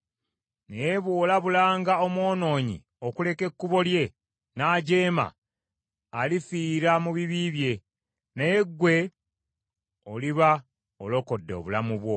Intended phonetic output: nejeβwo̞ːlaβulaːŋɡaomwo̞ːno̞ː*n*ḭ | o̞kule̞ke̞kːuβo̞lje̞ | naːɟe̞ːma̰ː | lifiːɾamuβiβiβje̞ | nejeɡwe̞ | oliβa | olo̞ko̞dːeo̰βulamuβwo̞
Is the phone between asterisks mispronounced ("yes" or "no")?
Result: yes